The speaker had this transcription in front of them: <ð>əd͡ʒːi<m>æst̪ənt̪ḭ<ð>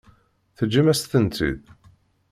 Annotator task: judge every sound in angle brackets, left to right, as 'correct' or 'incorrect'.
incorrect: θ, correct, correct

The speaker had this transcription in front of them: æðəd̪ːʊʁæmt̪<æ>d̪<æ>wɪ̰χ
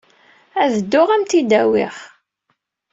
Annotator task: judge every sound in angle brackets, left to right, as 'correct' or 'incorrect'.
incorrect: i, correct

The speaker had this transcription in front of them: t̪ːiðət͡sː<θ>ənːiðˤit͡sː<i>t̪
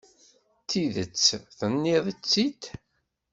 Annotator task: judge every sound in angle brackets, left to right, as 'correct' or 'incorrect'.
correct, correct

